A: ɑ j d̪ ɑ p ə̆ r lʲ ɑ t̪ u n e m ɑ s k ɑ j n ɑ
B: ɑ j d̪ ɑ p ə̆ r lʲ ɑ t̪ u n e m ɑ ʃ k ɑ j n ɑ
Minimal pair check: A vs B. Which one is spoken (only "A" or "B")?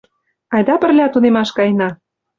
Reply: B